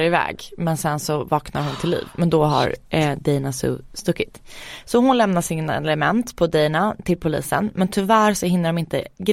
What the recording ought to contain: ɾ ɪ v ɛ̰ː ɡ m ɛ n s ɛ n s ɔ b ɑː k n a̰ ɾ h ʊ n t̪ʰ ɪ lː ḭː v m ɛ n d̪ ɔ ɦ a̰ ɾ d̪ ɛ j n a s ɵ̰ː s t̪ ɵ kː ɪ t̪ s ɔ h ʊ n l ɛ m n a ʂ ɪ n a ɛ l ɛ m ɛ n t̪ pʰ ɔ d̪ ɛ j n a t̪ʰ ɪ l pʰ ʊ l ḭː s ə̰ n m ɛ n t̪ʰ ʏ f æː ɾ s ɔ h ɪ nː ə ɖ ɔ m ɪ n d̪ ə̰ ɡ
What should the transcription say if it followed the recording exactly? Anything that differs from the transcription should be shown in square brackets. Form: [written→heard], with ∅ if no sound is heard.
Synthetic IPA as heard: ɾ ɪ v ɛ̰ː ɡ m ɛ n s ɛ n s ɔ [b→v] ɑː k n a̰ ɾ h ʊ n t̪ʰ ɪ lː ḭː v m ɛ n d̪ ɔ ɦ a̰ ɾ d̪ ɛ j n a s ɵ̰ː s t̪ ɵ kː ɪ t̪ s ɔ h ʊ n l ɛ m n a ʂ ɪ n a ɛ l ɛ m ɛ n t̪ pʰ ɔ d̪ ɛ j n a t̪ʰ ɪ l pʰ ʊ l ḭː s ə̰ n m ɛ n t̪ʰ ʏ [f→v] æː ɾ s ɔ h ɪ nː ə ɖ ɔ m ɪ n [d̪→t̪] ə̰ ɡ